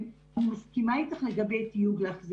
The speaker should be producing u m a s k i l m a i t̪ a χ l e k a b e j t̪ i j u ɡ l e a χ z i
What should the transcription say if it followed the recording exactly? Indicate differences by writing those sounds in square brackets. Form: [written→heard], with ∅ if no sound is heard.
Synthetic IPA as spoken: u m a s k i [l→∅] m a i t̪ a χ l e [k→ɡ] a b e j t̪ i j u ɡ l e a χ z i

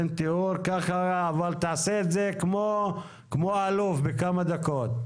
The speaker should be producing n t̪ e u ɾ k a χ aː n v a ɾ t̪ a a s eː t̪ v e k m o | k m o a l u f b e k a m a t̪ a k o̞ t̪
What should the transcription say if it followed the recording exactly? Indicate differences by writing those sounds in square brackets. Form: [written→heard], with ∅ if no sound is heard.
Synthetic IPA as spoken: n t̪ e u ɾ k a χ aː [n→∅] v a [ɾ→l] t̪ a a s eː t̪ [v→z] e k m o | k m o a l u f b e k a m a [t̪→d̪] a k o̞ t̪

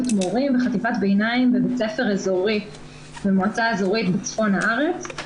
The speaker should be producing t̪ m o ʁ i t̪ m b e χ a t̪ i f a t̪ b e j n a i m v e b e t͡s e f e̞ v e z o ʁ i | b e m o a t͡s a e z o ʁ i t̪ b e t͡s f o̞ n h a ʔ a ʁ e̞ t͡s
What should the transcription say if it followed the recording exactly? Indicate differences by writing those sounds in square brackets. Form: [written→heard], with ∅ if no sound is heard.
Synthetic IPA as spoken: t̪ m o ʁ i [t̪→∅] m b e χ a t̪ i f a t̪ b e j n a i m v e b e t͡s e f e̞ [v→ʁ] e z o ʁ i | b e m o a t͡s a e z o ʁ i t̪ b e t͡s f o̞ n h a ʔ a ʁ e̞ t͡s

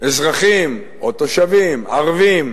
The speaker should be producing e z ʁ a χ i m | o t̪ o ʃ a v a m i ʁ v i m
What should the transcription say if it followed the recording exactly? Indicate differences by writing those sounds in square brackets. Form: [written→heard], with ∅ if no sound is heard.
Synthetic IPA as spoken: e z ʁ a χ i m | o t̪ o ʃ a v [a→i] m [i→a] ʁ v i m

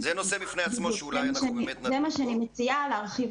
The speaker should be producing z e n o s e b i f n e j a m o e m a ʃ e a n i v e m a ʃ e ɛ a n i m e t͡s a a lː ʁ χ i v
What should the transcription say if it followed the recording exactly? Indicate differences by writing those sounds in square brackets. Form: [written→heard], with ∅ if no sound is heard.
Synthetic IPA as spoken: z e n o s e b i f n e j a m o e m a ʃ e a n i [v→z] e m a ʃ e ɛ a n i m e t͡s [a→i] a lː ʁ χ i v

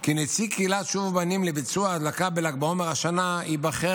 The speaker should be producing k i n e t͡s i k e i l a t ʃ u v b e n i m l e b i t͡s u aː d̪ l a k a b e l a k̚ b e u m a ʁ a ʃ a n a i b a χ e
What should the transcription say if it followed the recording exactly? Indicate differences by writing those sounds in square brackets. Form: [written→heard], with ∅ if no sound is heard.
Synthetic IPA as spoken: k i n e t͡s i k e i l a t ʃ u v b [e→a] n i m l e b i t͡s u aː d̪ l a k a b e l a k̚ b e [u→o] m [a→e] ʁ a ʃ a n a i b a χ e

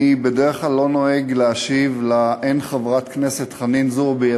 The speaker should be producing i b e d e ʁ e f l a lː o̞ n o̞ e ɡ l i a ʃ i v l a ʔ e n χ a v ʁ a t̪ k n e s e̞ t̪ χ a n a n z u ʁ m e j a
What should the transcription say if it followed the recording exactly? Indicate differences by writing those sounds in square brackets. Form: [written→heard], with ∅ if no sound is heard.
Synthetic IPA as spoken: i b e d e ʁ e [f→χ] l a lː o̞ n o̞ e ɡ l [i→e] a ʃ i v l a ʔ e n χ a v ʁ a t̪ k n e s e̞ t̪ χ a n [a→i] n z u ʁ [m→b] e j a

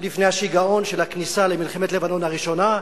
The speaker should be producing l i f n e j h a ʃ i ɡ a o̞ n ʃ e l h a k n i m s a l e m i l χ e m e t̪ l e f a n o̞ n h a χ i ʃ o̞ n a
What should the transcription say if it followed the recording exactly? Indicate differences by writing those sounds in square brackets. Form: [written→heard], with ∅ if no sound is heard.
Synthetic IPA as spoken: l i f n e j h a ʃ i ɡ a o̞ n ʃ e l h a k n i [m→∅] s a l e m i l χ e m e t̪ l e [f→v] a n o̞ n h a [χ→ʁ] i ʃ o̞ n a

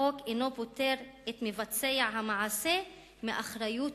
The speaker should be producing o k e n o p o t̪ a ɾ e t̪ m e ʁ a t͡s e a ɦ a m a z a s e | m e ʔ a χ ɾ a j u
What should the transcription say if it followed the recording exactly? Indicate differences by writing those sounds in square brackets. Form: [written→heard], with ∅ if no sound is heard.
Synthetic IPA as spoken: o k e n o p o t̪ [a→e] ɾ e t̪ m e [ʁ→v] a t͡s e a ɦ a m a [z→ʕ] a s e | m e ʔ a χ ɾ a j u

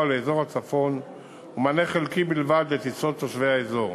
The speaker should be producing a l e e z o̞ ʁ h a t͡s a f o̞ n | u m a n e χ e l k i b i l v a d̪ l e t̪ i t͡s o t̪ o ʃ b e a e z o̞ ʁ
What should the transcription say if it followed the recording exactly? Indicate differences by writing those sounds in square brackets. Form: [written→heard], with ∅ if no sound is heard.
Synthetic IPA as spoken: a l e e z o̞ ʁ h a t͡s a f o̞ n | u m a n e χ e l k i b i l v a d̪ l e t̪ i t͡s o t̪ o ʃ [b→v] e a e z o̞ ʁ

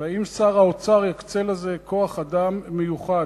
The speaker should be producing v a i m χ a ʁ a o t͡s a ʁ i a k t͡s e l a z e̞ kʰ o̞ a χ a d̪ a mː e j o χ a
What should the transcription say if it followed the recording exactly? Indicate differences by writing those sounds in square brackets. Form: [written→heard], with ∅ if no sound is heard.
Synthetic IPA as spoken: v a i m [χ→s] a ʁ a o t͡s a ʁ [i→j] a k t͡s e l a z e̞ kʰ o̞ a χ a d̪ a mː e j [o→u] χ a

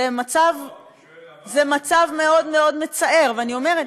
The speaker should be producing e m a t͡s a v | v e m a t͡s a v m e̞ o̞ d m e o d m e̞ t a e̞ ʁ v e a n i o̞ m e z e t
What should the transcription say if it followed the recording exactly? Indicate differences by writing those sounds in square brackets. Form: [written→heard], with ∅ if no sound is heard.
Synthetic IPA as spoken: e m a t͡s a v | [v→z] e m a t͡s a v m e̞ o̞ d m e o d m e̞ [t→t͡s] a e̞ ʁ v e a n i o̞ m e [z→ʁ] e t

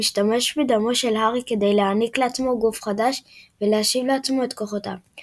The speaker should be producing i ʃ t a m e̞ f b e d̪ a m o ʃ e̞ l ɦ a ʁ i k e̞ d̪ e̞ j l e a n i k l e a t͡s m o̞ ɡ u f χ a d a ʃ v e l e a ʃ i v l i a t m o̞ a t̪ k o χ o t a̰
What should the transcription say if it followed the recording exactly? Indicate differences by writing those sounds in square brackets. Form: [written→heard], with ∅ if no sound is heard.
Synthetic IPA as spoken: i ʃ t a m e̞ [f→ʃ] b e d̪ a m o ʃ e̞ l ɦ a ʁ i k e̞ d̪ e̞ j l e a n i k l e a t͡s m o̞ ɡ u f χ a d a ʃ v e l e a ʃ i v l [i→e] a [t→t͡s] m o̞ [a→e] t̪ k o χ o t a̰

